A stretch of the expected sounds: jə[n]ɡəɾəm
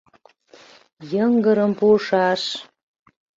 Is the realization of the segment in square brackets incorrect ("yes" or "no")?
yes